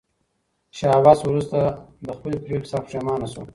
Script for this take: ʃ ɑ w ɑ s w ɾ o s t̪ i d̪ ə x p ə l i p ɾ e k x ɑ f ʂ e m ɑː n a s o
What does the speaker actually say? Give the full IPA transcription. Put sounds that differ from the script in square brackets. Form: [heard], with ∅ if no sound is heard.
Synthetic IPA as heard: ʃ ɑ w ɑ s w ɾ [u] s t̪ [a] d̪ ə x p ə l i p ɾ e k [s] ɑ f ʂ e m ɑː n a s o